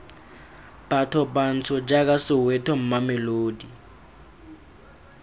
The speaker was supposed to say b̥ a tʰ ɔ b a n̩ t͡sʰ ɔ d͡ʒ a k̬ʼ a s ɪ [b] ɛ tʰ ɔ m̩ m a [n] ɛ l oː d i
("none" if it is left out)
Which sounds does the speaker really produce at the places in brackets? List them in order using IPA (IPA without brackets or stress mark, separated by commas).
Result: w, m